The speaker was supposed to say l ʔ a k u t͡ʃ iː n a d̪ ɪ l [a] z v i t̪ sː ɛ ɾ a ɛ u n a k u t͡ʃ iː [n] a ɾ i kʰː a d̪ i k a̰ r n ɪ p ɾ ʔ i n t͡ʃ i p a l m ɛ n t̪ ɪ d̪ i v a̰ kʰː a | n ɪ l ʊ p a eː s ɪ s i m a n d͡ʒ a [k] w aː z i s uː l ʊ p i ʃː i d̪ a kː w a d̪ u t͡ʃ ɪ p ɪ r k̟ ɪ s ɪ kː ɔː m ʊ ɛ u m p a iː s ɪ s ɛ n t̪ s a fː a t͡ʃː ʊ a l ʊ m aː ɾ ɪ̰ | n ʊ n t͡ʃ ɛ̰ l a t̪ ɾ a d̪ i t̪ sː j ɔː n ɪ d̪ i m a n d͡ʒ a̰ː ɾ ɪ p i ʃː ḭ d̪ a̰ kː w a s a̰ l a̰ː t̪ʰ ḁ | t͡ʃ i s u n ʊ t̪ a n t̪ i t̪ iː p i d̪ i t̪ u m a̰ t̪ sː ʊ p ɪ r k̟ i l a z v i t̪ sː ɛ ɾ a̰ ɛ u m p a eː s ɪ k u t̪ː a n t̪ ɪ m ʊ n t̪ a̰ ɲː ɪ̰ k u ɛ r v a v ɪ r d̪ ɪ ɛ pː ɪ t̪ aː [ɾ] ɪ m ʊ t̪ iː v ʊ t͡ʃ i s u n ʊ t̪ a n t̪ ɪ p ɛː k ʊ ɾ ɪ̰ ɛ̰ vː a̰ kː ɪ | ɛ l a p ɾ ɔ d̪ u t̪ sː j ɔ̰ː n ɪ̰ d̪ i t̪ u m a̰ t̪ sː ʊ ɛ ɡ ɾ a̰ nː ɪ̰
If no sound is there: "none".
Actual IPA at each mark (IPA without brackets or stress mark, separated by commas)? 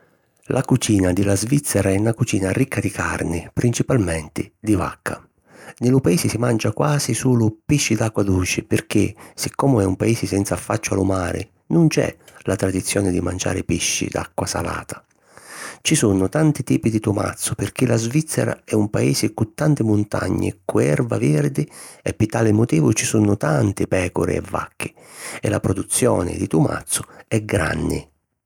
a, n, k, l